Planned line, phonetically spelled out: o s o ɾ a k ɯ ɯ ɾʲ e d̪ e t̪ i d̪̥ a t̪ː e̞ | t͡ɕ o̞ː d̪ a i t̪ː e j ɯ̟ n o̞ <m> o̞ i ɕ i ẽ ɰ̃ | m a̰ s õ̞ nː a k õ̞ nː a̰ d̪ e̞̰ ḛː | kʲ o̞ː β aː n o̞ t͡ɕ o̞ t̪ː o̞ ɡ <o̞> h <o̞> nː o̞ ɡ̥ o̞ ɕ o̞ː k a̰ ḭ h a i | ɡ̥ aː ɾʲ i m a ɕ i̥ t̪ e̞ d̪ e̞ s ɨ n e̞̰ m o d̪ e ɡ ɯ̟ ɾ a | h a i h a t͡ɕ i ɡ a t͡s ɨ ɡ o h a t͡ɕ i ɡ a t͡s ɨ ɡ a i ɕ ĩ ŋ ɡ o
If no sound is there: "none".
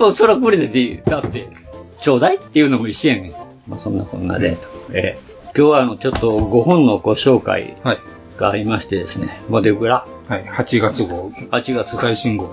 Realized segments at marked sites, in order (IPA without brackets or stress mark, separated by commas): m, o̞, õ̞